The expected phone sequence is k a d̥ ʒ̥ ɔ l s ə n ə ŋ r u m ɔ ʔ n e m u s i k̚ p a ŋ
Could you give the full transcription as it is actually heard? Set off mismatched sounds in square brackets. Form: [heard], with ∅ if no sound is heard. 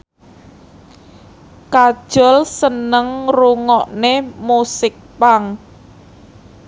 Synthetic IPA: k a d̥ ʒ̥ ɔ l s ə n ə ŋ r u [ŋ] ɔ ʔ n e m u s [ɪ] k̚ p a ŋ